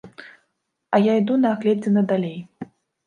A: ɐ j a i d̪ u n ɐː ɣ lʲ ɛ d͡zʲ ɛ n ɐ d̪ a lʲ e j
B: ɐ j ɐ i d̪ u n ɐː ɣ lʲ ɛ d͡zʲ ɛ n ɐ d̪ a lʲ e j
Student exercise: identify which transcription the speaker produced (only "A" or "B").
A